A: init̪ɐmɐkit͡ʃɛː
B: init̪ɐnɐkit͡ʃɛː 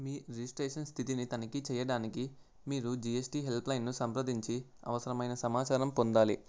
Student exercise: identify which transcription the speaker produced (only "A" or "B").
B